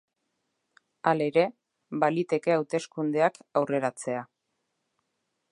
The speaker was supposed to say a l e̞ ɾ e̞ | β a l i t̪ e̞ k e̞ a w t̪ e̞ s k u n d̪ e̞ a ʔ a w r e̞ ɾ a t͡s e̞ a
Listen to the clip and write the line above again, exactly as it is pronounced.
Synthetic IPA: a l e̞ ɾ e̞ | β a l i t̪ e̞ k e̞ a w t̪ e̞ s k u n d̪ e̞ a k a w r e̞ ɾ a t͡s e̞ a